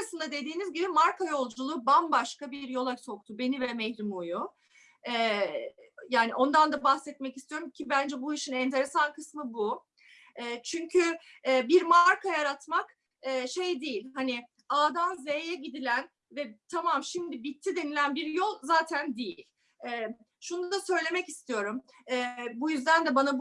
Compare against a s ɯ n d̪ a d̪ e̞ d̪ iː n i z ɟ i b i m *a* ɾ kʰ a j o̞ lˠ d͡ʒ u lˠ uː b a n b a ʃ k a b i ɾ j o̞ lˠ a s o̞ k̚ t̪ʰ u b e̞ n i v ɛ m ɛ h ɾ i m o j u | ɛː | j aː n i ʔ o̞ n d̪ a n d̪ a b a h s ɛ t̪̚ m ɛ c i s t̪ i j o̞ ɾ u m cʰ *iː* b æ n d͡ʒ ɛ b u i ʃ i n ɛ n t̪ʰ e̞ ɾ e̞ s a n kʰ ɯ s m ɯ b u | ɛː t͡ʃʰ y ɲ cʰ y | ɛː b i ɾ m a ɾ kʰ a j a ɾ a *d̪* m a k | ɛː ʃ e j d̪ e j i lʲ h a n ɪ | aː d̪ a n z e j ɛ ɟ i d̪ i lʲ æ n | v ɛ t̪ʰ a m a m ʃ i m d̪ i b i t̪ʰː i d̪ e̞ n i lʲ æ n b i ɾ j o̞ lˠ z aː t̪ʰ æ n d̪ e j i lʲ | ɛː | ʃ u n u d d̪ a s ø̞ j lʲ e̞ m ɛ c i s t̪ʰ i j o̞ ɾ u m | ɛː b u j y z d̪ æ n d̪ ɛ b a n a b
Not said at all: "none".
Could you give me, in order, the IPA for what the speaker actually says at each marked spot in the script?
a, i, t̪

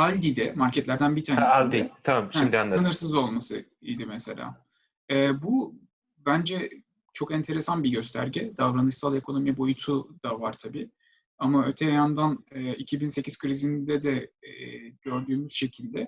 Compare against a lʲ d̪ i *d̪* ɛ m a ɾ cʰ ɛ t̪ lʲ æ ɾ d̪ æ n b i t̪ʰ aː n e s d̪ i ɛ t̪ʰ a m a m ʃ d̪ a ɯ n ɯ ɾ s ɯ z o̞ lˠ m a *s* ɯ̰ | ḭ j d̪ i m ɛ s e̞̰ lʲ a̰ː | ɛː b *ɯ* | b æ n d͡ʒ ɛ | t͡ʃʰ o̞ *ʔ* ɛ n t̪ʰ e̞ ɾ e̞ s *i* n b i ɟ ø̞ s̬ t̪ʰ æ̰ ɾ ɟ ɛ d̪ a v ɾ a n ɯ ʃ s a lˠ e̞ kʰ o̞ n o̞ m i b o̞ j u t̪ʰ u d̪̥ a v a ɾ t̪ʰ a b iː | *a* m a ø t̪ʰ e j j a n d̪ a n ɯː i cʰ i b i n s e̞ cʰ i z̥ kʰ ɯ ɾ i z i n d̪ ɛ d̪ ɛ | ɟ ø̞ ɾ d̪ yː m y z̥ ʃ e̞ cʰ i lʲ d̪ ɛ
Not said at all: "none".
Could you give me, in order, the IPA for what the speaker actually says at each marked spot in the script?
d̪, s, u, k, a, a

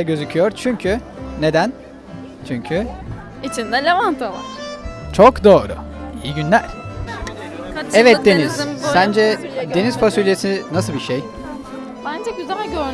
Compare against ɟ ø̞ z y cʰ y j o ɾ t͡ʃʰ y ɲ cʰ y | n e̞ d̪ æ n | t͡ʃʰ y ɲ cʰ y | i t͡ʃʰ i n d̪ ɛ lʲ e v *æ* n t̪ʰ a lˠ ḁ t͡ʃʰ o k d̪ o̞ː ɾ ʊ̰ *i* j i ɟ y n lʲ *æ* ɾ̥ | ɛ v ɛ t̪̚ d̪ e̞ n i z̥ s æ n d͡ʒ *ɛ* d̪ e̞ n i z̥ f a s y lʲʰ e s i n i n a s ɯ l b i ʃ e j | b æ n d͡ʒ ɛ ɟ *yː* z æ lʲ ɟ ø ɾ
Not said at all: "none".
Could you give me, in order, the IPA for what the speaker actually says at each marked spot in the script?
a, i, æ, ɛ, y

